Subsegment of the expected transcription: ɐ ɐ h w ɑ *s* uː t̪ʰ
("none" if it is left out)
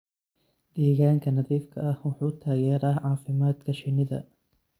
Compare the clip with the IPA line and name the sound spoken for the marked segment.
ħ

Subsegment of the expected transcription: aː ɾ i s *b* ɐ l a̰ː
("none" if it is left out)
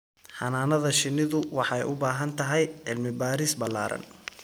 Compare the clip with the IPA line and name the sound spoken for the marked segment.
b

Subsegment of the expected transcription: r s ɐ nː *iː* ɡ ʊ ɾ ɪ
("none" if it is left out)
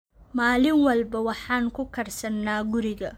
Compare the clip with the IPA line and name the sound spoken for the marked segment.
aː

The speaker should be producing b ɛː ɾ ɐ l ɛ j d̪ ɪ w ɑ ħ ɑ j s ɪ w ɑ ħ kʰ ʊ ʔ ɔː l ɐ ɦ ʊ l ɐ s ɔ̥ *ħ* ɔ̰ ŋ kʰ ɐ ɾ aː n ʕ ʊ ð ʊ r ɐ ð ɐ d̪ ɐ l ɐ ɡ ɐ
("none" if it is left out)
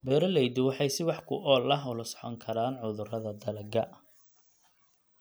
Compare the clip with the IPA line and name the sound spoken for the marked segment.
ħ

